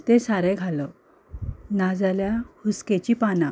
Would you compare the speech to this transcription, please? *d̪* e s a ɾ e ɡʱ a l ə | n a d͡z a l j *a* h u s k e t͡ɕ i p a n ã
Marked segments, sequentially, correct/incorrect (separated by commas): incorrect, correct